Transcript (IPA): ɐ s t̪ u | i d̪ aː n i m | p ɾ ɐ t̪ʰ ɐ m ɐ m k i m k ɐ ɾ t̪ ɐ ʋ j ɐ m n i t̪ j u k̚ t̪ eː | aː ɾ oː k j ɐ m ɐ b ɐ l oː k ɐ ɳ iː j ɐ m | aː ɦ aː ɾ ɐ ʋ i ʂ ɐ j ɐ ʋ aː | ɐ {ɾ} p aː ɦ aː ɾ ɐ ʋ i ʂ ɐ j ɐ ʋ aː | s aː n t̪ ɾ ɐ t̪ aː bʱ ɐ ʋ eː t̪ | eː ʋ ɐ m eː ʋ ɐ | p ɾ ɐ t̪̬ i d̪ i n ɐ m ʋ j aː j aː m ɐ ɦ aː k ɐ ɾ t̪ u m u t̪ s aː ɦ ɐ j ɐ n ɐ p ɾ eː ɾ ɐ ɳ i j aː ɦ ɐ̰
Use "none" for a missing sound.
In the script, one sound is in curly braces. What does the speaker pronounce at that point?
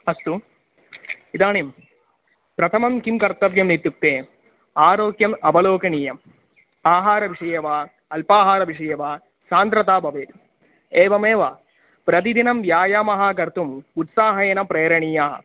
l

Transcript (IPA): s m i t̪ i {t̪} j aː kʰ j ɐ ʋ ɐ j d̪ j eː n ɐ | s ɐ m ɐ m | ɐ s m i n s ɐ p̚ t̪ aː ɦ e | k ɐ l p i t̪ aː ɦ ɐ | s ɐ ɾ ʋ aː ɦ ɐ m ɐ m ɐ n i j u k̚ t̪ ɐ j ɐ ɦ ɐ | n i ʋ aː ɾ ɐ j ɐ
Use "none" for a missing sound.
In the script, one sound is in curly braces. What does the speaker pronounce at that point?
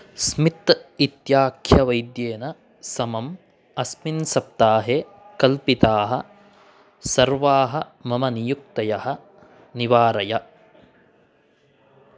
t̪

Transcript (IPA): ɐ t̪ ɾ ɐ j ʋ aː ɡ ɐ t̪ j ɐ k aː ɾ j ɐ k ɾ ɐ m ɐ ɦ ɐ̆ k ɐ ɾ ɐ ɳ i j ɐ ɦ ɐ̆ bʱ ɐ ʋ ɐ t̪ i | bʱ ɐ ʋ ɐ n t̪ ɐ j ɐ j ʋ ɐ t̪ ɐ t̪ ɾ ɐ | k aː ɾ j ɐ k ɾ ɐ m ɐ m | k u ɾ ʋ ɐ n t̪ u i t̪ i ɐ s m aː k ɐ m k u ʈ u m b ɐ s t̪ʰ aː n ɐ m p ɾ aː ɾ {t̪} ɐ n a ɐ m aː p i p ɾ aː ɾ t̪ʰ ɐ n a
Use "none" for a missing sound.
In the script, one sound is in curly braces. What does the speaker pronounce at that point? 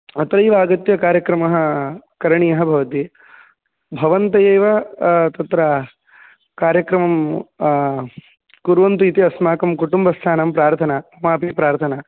t̪ʰ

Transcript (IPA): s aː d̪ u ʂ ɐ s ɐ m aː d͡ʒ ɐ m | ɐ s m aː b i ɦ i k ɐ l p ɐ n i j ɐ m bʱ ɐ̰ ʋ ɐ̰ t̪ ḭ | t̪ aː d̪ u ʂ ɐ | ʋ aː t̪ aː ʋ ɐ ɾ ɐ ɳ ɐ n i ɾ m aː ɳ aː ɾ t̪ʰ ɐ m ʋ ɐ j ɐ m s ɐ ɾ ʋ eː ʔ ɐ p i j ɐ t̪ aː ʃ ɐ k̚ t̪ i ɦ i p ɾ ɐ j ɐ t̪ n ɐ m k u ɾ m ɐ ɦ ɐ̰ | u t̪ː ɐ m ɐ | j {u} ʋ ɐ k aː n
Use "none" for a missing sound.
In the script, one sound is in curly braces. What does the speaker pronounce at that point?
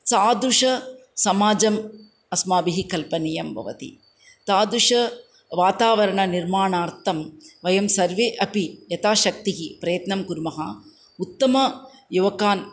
u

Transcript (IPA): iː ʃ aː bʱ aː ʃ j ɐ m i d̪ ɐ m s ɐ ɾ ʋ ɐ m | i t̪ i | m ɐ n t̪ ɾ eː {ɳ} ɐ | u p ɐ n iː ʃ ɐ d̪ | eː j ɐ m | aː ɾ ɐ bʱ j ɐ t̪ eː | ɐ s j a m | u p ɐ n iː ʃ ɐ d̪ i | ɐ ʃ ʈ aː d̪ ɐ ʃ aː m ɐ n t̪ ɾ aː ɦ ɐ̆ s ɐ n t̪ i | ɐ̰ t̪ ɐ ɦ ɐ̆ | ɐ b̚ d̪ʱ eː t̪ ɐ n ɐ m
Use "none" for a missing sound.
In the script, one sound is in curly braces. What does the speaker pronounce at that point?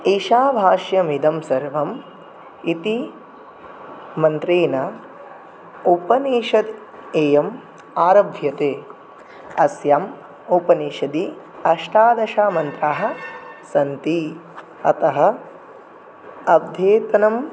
n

